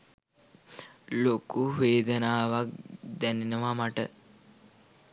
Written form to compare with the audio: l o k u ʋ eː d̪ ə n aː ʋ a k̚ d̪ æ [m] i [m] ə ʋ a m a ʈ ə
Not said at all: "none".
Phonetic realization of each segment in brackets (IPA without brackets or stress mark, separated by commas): n, n